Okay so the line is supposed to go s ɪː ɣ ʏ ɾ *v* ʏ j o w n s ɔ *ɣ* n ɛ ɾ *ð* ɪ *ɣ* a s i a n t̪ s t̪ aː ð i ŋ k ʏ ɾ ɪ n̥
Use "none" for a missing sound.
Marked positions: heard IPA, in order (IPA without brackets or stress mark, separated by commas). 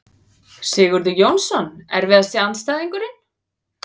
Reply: ð, none, v, ð